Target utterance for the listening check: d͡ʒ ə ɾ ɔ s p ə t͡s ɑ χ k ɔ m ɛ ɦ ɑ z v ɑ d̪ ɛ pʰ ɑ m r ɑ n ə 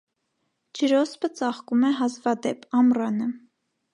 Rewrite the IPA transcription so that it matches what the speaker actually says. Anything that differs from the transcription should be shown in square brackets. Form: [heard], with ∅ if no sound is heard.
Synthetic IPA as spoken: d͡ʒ ə ɾ ɔ s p ə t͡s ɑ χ k [u] m ɛ ɦ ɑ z v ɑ d̪ ɛ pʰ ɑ m r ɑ n ə